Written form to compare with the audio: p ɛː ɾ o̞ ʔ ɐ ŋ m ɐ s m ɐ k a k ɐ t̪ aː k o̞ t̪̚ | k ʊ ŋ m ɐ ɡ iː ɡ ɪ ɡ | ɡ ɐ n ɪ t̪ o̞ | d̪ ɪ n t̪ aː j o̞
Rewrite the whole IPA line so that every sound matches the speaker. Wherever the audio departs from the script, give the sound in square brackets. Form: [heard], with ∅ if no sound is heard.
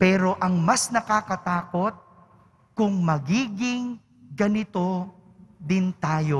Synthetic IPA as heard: p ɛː ɾ o̞ ʔ ɐ ŋ m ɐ s [n] ɐ k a k ɐ t̪ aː k o̞ t̪̚ | k ʊ ŋ m ɐ ɡ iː ɡ ɪ [ŋ] | ɡ ɐ n ɪ t̪ o̞ | d̪ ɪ n t̪ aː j o̞